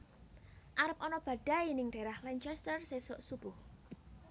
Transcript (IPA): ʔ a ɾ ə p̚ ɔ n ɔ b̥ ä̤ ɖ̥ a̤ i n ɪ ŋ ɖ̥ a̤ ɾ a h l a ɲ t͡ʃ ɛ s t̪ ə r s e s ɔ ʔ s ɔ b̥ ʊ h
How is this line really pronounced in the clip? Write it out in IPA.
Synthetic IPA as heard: ʔ a ɾ ə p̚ ɔ n ɔ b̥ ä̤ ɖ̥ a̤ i n ɪ ŋ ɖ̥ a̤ ɾ a h l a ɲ t͡ʃ ɛ s t̪ ə r s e s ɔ ʔ s u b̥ ʊ h